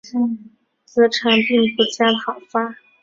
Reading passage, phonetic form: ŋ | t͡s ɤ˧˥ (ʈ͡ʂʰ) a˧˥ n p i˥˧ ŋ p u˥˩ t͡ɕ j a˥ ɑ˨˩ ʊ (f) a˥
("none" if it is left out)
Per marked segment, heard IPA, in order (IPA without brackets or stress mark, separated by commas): ʈ͡ʂʰ, f